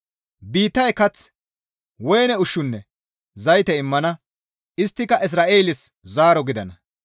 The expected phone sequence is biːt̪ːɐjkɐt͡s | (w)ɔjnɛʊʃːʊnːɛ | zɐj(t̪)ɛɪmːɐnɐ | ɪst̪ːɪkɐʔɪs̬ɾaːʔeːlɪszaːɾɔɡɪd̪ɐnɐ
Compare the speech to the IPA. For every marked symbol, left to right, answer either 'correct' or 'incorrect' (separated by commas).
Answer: correct, correct